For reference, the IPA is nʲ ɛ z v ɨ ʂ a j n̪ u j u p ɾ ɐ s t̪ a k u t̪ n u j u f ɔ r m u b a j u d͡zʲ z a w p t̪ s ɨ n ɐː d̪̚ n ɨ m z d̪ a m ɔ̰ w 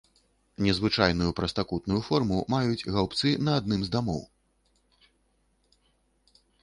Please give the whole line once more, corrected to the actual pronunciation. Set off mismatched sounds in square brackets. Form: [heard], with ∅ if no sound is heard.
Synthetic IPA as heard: nʲ ɛ z v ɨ [t͡ʂ] a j n̪ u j u p ɾ ɐ s t̪ a k u t̪ n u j u f ɔ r m u [m] a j u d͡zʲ [ɣ] a w p t̪ s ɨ n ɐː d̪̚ n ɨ m z d̪ a m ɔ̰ w